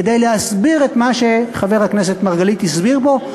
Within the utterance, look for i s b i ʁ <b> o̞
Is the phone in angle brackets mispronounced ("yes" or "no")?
no